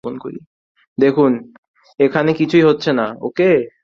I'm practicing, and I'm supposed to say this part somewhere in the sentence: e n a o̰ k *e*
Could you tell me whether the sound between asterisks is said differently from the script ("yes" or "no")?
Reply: no